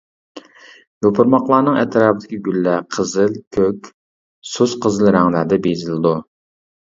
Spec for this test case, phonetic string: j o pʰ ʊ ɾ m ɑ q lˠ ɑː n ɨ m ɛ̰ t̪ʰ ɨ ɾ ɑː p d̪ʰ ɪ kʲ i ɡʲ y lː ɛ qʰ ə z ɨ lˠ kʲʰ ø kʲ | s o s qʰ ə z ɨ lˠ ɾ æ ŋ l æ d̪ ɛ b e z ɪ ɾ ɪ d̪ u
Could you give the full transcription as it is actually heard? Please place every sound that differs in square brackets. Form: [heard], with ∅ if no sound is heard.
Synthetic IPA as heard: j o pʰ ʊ ɾ m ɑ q lˠ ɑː n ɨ [ŋ] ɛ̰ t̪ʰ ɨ ɾ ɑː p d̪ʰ ɪ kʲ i ɡʲ y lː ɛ qʰ ə z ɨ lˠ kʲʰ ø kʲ | s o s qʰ ə z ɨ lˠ ɾ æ ŋ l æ d̪ ɛ b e z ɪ [l] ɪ d̪ u